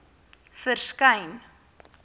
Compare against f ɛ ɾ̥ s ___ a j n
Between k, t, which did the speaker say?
k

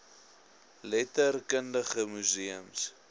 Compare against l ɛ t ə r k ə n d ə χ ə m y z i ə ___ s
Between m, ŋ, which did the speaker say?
m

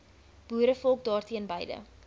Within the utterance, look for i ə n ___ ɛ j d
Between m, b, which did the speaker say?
b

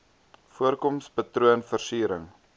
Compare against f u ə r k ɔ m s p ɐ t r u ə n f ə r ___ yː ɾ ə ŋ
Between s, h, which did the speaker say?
s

